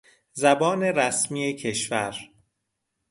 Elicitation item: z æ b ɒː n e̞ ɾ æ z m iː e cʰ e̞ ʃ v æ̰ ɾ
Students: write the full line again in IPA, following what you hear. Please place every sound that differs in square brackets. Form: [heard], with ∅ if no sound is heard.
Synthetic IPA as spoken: z æ b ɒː n e̞ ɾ æ [s] m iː e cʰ e̞ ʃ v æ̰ ɾ